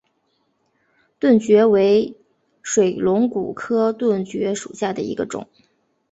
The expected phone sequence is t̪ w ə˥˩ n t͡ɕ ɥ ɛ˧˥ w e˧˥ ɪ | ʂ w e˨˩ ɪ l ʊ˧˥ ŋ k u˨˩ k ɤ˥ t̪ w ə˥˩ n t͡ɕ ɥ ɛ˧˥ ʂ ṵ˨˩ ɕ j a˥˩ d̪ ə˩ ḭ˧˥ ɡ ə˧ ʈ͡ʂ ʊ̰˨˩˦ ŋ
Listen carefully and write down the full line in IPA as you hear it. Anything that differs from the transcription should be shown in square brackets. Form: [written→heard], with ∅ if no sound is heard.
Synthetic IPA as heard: t̪ w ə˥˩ n t͡ɕ ɥ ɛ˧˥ w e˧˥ ɪ | ʂ w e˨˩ ɪ l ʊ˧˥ ŋ k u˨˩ [k→kʰ] ɤ˥ t̪ w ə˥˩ n t͡ɕ ɥ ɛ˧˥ ʂ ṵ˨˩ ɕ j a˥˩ d̪ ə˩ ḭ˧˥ ɡ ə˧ ʈ͡ʂ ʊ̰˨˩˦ ŋ